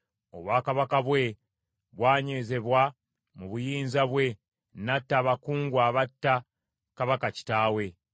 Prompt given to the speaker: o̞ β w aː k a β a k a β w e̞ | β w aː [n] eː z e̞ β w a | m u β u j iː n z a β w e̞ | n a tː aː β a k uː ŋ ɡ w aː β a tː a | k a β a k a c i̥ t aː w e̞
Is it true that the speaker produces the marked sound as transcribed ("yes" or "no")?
no